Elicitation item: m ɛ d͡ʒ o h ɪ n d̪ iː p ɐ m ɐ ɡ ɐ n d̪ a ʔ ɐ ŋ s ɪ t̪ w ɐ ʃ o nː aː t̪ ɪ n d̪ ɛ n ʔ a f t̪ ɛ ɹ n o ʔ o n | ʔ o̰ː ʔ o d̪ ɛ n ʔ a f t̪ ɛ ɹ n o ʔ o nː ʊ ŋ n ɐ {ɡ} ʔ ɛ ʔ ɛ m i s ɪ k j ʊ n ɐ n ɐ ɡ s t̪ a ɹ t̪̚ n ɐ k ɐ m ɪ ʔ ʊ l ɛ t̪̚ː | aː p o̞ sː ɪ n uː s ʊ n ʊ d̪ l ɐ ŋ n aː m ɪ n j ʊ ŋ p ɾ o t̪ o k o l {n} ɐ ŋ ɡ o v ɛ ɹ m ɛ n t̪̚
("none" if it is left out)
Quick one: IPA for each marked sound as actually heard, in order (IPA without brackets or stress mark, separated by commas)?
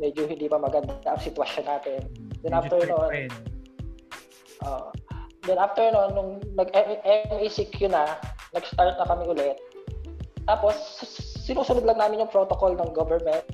ɡ, n